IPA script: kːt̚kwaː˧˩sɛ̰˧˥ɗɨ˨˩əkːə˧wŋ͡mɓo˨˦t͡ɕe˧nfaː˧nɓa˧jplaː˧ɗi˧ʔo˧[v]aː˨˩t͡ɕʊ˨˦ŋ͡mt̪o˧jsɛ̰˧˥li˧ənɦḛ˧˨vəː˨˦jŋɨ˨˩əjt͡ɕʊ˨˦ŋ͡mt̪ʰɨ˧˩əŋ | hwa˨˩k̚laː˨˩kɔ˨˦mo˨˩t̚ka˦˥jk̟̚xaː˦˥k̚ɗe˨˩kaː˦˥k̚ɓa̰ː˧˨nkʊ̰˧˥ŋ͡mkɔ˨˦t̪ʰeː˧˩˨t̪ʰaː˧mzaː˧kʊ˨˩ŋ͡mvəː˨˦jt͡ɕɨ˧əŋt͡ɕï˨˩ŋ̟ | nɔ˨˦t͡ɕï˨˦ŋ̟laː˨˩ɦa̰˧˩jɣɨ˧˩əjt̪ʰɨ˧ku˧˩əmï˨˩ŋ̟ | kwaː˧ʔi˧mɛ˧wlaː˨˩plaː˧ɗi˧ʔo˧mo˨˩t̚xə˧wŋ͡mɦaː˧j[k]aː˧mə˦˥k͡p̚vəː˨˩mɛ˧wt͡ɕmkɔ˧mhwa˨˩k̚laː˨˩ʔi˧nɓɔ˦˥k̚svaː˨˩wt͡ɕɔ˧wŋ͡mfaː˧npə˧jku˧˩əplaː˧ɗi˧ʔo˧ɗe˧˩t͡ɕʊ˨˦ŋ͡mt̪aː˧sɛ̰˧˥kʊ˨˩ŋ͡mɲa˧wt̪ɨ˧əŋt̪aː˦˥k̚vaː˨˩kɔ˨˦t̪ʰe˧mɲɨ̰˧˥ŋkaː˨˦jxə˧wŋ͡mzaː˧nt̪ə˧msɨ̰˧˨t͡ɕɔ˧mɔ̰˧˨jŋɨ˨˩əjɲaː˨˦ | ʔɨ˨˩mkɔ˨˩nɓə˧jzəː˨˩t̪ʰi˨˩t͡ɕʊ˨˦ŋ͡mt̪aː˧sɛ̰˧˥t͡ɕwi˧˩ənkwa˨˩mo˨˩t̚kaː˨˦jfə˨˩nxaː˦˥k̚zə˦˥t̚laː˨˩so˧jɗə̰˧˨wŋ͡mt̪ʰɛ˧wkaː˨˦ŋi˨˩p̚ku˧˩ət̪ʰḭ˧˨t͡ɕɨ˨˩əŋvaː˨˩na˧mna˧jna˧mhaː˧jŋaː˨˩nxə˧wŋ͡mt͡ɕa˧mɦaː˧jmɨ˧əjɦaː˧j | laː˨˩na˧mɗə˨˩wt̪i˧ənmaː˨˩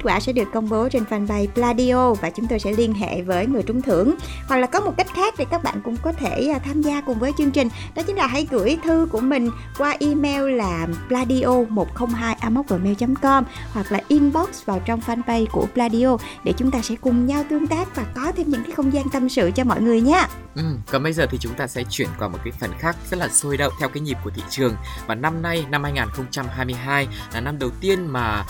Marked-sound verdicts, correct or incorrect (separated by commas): correct, incorrect